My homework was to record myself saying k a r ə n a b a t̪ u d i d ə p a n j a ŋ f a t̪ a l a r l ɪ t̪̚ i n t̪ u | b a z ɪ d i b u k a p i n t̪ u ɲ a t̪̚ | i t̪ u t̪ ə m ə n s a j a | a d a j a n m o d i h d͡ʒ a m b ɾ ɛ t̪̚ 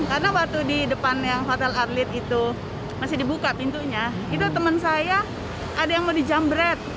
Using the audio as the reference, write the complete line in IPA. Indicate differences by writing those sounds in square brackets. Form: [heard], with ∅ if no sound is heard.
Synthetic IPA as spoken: k a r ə n a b a t̪ u d i d ə p a n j a ŋ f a t̪ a l a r l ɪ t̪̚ i [∅] t̪ u | [m] a [s] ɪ d i b u k a p i n t̪ u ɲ a [∅] | i t̪ u t̪ ə m ə n s a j a | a d a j a [ŋ] m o d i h d͡ʒ a m b ɾ ɛ t̪̚